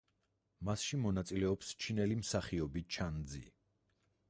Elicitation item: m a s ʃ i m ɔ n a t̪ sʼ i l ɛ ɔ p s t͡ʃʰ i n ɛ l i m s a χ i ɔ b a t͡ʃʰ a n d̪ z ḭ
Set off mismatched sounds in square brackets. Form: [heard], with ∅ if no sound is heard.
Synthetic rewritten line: m a s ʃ i m ɔ n a t̪ sʼ i l ɛ ɔ p s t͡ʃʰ i n ɛ l i m s a χ i ɔ b [i] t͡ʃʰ a n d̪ z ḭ